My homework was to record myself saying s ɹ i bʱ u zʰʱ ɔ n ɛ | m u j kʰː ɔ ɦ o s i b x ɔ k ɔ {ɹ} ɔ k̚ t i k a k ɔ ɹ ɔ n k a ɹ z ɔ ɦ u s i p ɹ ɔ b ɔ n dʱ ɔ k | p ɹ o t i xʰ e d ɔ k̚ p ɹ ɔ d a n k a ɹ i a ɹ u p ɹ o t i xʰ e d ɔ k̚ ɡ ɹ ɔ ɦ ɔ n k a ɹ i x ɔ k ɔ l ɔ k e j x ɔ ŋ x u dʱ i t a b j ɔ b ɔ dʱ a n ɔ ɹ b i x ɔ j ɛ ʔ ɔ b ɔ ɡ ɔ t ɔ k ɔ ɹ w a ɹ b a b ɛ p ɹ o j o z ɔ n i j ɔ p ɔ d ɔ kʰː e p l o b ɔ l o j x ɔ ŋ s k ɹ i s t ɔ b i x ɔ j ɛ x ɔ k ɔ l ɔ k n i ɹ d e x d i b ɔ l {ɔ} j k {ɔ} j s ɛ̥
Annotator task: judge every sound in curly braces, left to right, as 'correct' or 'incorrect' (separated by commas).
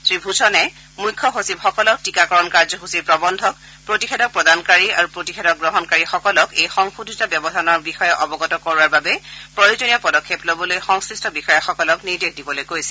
incorrect, incorrect, incorrect